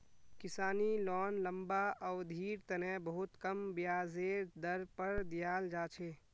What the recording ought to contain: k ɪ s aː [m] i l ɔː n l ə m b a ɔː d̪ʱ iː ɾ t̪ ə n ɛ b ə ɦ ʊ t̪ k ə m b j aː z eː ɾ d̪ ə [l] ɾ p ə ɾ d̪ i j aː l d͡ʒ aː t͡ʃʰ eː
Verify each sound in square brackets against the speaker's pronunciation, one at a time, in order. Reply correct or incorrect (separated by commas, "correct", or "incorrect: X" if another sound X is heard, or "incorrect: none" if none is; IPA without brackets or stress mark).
incorrect: n, incorrect: none